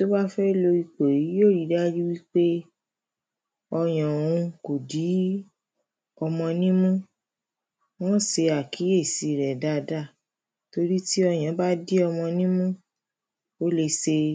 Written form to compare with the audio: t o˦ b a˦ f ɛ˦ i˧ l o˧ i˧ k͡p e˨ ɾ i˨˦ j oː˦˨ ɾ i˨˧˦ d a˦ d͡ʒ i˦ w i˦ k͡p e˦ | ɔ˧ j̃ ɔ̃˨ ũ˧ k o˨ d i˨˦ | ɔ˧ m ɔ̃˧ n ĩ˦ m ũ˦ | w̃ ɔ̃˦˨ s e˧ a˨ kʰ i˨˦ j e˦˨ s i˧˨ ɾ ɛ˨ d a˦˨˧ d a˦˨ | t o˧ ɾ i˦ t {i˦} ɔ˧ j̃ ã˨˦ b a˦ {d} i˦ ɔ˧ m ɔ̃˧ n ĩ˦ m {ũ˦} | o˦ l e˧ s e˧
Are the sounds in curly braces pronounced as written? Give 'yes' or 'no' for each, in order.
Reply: yes, yes, yes

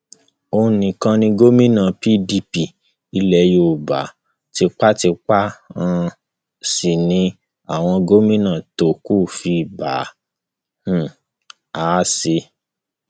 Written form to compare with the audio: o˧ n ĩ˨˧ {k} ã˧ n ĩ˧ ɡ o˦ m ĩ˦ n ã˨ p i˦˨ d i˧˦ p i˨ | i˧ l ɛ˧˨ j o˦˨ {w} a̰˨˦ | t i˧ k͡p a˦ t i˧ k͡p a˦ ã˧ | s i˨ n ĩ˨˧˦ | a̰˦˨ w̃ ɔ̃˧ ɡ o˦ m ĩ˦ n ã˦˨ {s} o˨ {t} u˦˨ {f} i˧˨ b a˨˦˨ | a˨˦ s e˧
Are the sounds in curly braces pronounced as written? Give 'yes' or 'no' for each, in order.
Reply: yes, no, no, no, yes

